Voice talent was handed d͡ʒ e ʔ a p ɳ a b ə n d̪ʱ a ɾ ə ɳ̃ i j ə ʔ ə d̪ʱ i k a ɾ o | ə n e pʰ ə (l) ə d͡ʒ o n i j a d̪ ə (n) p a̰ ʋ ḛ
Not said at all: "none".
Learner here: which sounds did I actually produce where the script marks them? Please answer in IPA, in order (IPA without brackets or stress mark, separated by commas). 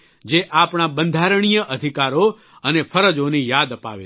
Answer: ɾ, none